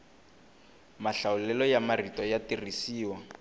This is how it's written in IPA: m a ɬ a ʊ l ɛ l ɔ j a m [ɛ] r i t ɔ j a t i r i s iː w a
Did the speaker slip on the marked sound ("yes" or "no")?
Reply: yes